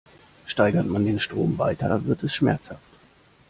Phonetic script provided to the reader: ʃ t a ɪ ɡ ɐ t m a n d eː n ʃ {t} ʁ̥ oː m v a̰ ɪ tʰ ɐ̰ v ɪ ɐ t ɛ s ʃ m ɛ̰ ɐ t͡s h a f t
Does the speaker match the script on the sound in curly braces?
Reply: yes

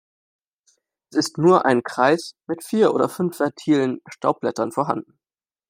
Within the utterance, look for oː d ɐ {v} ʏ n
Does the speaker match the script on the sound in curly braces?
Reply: no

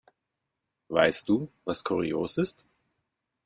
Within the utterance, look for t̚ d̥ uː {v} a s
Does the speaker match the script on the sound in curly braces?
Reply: yes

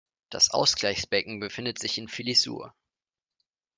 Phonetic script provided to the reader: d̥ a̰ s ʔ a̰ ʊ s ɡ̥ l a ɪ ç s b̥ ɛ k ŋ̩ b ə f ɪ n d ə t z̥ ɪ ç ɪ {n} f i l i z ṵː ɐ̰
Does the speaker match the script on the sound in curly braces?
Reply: yes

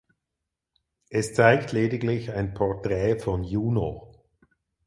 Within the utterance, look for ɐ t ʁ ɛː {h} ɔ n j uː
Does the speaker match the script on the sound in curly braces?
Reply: no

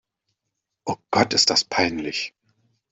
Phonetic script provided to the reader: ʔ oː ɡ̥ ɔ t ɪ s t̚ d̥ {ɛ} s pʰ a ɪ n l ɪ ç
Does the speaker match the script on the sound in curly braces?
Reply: no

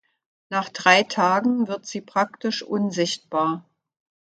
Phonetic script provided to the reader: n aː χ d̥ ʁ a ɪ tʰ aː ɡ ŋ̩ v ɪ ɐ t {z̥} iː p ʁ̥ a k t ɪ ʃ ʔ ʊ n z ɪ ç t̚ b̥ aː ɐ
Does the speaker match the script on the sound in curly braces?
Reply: yes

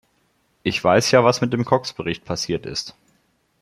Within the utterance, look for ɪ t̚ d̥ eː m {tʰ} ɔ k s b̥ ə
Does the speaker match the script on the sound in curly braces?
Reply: no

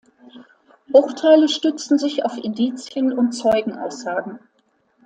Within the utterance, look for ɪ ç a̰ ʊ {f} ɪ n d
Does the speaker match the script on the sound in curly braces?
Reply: yes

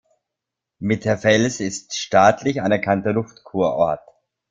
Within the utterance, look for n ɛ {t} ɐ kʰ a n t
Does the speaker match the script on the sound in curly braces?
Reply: no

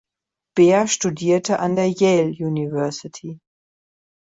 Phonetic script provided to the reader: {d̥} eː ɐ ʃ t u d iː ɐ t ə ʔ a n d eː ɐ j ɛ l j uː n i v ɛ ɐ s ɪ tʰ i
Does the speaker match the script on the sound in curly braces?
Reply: no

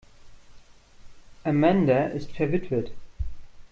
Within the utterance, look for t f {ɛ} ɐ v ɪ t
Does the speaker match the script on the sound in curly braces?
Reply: yes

